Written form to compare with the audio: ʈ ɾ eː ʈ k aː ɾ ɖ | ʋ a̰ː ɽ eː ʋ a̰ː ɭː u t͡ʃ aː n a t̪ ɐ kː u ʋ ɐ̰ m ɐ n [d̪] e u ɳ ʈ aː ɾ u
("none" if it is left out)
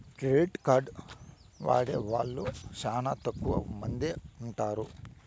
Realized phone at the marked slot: d̪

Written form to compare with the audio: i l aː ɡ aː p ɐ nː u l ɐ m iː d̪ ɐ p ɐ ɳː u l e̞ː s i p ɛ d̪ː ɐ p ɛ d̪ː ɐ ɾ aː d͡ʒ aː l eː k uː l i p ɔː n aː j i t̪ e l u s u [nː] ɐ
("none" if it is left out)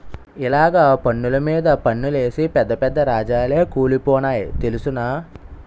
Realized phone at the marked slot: n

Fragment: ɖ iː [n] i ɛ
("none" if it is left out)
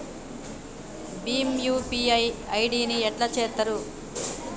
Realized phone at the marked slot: n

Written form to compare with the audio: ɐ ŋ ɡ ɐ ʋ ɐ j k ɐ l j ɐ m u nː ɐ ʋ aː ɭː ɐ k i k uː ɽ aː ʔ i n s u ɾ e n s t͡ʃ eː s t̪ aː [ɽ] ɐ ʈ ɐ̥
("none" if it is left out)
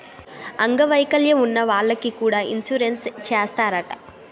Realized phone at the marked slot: ɾ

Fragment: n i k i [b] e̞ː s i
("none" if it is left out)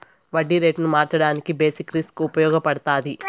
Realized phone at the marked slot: b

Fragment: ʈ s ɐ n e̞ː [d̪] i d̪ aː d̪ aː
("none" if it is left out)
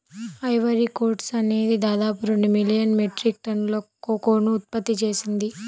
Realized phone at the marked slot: d̪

